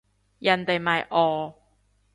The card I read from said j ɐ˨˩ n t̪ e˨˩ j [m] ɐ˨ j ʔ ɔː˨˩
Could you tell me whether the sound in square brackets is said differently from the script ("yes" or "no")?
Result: no